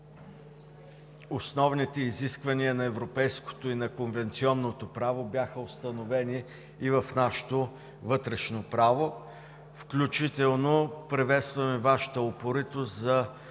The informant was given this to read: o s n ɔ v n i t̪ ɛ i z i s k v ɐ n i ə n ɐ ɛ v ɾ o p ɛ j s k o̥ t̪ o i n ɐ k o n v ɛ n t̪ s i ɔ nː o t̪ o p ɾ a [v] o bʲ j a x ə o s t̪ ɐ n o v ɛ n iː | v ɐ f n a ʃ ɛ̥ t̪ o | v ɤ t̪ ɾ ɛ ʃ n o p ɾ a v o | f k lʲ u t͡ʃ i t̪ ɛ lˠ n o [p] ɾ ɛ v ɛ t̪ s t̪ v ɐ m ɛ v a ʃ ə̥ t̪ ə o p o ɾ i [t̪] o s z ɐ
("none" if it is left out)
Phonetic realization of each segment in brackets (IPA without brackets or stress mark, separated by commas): v, p, t̪